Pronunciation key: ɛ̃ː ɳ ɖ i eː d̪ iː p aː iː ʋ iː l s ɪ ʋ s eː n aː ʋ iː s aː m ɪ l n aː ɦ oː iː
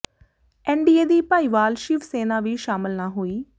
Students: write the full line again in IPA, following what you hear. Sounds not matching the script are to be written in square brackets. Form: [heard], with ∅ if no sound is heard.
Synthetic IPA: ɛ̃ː ɳ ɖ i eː d̪ iː p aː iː ʋ [aː] l [ʃ] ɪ ʋ s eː n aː ʋ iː [ʃ] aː m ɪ l n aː ɦ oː iː